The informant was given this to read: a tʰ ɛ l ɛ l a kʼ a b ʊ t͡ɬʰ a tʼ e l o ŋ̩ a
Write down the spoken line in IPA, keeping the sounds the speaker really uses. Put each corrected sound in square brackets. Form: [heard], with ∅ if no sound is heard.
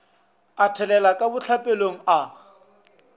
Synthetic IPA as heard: a tʰ ɛ l ɛ l a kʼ a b ʊ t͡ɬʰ a [pʼ] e l o ŋ̩ a